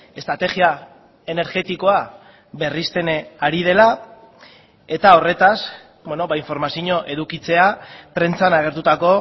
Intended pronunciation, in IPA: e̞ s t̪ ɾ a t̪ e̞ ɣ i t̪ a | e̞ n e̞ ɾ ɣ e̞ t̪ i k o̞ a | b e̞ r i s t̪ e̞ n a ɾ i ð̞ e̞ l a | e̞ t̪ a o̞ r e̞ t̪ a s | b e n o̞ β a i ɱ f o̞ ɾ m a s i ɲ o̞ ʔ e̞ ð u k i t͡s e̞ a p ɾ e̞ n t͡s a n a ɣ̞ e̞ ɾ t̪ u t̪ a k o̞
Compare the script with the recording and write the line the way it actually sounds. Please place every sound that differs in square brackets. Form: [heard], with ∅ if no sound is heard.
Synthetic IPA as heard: e̞ s t̪ ɾ a t̪ e̞ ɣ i [∅] a | e̞ n e̞ ɾ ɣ e̞ t̪ i k o̞ a | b e̞ r i s t̪ e̞ n a ɾ i ð̞ e̞ l a | e̞ t̪ a o̞ r e̞ t̪ a s | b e n o̞ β a i ɱ f o̞ ɾ m a s i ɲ o̞ ʔ e̞ ð u k i t͡s e̞ a p ɾ e̞ n t͡s a n a ɣ̞ e̞ ɾ t̪ u t̪ a k o̞